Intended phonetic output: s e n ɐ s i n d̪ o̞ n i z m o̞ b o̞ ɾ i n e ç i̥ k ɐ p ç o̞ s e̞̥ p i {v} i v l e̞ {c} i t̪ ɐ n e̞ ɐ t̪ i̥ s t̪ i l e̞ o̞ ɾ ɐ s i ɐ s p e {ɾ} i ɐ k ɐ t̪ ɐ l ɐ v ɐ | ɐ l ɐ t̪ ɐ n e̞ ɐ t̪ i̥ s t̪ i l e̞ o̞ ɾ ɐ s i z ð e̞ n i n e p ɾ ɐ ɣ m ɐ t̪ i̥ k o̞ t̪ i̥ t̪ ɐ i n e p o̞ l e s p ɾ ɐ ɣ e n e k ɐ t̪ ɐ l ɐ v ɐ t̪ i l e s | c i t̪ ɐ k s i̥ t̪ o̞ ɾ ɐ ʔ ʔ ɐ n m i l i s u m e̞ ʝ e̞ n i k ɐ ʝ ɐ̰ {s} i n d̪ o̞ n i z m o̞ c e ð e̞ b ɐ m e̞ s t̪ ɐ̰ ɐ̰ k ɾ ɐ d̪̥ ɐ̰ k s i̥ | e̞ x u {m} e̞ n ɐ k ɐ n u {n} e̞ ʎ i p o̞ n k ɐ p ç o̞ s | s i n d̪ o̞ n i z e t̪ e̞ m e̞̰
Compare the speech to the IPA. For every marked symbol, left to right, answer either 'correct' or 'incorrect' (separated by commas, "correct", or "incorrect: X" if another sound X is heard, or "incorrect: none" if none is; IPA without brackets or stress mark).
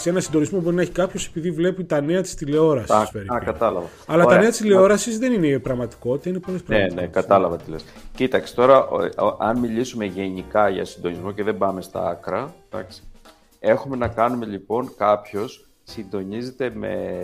incorrect: ð, incorrect: p, correct, correct, correct, incorrect: m